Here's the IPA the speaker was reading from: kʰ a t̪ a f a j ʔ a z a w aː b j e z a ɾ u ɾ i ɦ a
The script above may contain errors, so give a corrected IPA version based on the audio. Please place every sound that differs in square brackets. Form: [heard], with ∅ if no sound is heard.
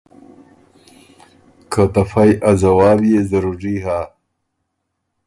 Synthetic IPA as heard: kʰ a t̪ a f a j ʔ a z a w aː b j e z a ɾ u ɾ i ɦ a